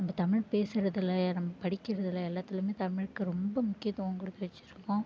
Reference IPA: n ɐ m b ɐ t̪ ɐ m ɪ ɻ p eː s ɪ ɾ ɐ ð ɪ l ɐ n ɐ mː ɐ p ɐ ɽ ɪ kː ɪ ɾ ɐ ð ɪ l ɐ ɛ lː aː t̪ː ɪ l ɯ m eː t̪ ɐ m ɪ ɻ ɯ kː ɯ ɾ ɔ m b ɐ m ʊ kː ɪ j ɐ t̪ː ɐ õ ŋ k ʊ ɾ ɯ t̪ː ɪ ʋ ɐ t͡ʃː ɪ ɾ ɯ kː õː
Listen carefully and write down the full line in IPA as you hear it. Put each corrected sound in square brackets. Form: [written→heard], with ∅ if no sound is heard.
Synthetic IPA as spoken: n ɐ m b ɐ t̪ ɐ m ɪ ɻ p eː s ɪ ɾ ɐ ð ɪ l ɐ n ɐ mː ɐ p ɐ ɽ ɪ kː ɪ ɾ ɐ ð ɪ l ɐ ɛ lː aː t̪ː ɪ l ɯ m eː t̪ ɐ m ɪ ɻ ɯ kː ɯ ɾ ɔ m b ɐ m ʊ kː ɪ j ɐ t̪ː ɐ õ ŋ k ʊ [ɾ→ɽ] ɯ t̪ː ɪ ʋ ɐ t͡ʃː ɪ ɾ ɯ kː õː

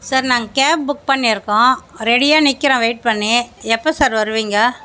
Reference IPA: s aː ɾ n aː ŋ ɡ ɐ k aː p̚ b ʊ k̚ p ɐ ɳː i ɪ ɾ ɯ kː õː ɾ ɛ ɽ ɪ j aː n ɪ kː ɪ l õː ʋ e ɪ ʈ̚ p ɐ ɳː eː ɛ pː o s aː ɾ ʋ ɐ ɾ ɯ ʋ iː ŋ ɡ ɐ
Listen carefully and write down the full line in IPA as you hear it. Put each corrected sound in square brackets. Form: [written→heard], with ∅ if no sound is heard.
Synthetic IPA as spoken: s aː ɾ n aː ŋ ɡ ɐ k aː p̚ b ʊ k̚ p ɐ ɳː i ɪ ɾ ɯ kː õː ɾ ɛ ɽ ɪ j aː n ɪ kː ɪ [l→ɾ] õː ʋ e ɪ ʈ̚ p ɐ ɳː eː ɛ pː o s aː ɾ ʋ ɐ ɾ ɯ ʋ iː ŋ ɡ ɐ

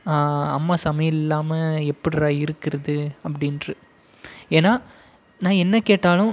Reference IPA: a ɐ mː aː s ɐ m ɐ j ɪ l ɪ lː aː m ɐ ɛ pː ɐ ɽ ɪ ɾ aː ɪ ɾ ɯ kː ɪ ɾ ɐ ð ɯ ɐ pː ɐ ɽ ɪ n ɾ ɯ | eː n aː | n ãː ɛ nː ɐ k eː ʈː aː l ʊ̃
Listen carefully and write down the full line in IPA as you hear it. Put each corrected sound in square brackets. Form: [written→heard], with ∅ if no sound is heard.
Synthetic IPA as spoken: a ɐ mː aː s ɐ m ɐ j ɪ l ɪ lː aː m ɐ ɛ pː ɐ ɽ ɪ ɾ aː ɪ ɾ ɯ kː ɪ ɾ ɐ ð ɯ ɐ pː ɐ ɽ ɪ n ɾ ɯ | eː n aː | n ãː ɛ nː ɐ k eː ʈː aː l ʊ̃

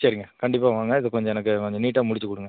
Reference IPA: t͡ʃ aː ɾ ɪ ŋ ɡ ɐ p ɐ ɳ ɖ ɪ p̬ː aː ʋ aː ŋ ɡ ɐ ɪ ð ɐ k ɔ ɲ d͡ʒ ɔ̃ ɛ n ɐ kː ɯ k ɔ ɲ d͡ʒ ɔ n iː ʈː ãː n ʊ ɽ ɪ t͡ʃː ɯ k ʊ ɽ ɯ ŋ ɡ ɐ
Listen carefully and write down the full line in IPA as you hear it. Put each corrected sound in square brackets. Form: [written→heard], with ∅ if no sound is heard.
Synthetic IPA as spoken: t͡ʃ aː ɾ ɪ ŋ ɡ ɐ [p→k] ɐ ɳ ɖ ɪ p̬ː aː ʋ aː ŋ ɡ ɐ ɪ ð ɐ k ɔ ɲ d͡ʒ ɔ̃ ɛ n ɐ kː ɯ k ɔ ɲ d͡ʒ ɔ n iː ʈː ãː [n→m] ʊ ɽ ɪ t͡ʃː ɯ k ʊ ɽ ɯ ŋ ɡ ɐ

